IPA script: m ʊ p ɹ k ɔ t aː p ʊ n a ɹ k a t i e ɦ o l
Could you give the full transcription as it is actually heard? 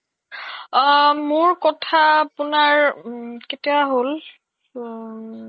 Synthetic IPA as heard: m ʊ ɹ k ɔ tʰ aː p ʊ n a ɹ k e t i a ɦ o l